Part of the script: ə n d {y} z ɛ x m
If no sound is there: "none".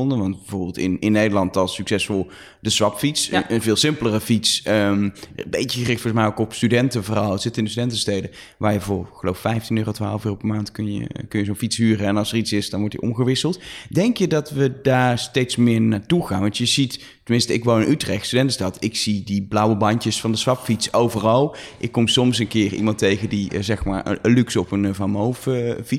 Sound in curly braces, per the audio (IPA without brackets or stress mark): i